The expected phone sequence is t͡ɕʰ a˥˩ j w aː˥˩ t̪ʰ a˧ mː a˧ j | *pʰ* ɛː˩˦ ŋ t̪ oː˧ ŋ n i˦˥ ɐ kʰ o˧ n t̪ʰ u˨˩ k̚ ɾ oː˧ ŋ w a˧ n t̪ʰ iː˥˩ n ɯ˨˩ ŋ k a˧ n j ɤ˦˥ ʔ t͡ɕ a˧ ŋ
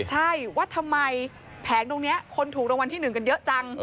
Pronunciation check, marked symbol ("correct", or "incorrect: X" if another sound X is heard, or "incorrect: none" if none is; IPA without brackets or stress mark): correct